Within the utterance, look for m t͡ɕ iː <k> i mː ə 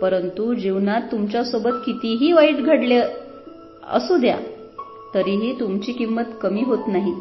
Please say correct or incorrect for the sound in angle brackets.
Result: correct